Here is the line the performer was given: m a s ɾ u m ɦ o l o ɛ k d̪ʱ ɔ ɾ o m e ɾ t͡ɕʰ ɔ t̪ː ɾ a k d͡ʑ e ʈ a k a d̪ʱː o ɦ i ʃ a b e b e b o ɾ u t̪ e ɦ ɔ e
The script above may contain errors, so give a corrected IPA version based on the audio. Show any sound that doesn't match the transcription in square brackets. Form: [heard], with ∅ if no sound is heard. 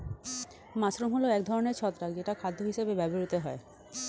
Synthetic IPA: m a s ɾ u m ɦ o l o ɛ k d̪ʱ ɔ ɾ o [n] e ɾ t͡ɕʰ ɔ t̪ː ɾ a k d͡ʑ e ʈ a [kʰ] a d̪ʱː o ɦ i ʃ [e] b e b [ɛ] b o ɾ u t̪ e ɦ ɔ e